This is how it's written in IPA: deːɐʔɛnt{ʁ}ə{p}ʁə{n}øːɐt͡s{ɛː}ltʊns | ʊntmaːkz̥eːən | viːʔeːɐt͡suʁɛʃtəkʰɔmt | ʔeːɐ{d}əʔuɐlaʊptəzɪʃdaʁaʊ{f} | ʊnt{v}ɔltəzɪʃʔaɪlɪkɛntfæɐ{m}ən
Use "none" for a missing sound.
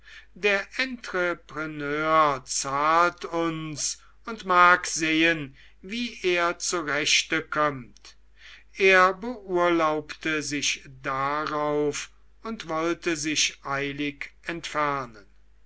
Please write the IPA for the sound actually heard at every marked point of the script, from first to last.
ʁ, p, n, aː, b, f, v, n

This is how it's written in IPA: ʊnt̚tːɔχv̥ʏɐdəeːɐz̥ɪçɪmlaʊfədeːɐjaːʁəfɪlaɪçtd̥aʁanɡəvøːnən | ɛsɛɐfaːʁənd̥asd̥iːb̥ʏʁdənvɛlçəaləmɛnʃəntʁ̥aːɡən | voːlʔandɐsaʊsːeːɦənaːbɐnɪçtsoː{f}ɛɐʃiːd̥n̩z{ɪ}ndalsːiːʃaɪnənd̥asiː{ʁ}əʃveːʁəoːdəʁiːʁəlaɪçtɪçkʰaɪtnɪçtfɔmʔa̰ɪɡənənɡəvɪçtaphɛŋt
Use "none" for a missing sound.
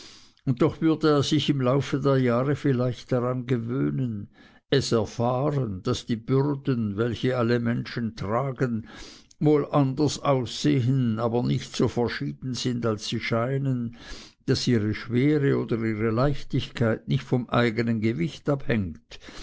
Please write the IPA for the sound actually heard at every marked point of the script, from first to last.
f, ɪ, ʁ

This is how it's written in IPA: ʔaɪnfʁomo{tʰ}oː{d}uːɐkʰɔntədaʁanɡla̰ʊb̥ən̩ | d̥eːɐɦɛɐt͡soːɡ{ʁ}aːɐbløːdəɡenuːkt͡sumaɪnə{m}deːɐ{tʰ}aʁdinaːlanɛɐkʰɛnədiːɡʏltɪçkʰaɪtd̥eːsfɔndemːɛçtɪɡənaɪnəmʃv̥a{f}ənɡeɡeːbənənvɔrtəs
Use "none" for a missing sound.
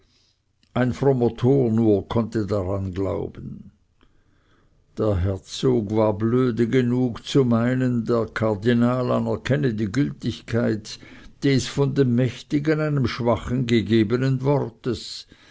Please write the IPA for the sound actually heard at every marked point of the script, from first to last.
tʰ, n, v, n, kʰ, χ

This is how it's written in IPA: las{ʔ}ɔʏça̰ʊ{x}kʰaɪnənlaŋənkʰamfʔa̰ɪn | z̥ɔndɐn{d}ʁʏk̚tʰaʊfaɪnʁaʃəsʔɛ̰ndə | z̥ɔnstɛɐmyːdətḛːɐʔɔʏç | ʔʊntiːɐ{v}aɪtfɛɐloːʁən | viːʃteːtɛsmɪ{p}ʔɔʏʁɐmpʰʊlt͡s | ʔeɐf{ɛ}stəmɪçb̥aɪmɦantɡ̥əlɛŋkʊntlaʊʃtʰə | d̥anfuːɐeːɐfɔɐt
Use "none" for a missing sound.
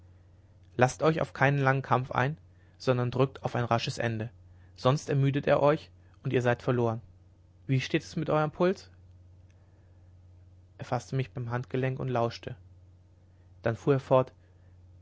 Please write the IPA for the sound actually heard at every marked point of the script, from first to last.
t, f, d, z, t, a

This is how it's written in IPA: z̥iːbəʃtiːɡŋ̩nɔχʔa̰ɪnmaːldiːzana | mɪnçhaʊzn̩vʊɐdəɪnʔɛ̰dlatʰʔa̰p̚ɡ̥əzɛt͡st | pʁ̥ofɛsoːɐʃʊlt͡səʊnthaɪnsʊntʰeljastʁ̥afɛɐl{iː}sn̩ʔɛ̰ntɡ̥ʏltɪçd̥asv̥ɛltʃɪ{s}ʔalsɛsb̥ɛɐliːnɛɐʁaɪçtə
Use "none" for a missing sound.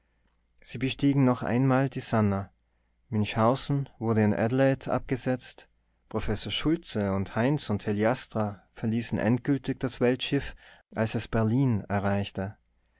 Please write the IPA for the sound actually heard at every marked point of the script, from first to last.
iː, f

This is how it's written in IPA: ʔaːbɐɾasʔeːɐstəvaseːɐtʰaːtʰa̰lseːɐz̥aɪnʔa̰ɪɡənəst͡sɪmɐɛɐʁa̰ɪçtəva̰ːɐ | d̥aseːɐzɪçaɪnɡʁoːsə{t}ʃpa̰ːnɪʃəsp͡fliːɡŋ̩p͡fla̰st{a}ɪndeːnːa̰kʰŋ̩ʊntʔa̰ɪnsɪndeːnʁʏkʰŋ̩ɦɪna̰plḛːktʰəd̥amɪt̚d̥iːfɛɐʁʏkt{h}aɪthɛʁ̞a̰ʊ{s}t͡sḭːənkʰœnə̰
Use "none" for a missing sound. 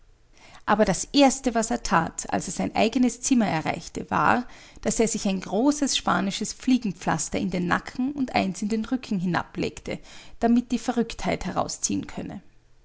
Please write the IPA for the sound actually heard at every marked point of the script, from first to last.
s, ɐ, h, s

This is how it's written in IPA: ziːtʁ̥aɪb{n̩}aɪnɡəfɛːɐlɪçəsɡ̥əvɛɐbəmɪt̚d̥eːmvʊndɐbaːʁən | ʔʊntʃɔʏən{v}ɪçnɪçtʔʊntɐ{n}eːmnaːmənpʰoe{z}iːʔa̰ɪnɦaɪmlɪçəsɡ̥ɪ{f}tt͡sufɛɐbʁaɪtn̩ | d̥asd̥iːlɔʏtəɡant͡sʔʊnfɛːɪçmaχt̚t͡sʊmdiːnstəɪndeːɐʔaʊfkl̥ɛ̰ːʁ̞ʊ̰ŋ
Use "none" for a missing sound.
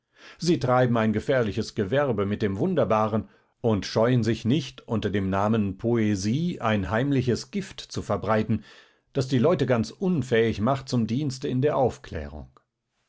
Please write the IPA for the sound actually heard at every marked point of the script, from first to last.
m̩, z, d, z, f

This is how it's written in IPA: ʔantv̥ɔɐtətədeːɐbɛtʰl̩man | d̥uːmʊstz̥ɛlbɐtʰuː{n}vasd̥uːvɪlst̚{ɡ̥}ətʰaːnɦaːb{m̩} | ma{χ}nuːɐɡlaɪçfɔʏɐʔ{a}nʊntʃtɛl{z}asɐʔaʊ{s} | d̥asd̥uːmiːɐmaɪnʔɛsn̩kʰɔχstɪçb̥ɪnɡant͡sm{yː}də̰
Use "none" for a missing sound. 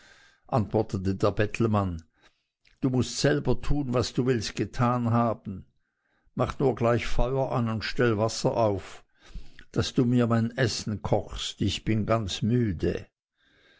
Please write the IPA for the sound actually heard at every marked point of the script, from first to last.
n, ɡ̥, n̩, χ, a, v, f, yː

